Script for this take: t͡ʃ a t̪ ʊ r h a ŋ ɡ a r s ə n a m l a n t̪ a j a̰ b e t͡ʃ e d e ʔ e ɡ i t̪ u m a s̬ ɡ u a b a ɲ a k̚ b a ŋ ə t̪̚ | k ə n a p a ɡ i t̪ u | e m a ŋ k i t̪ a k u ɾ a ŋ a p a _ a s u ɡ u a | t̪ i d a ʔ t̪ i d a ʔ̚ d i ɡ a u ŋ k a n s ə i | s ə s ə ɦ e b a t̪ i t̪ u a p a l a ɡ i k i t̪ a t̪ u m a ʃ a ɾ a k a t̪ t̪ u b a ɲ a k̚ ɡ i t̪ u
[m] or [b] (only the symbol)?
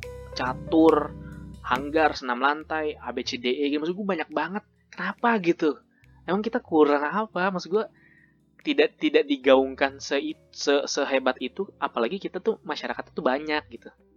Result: m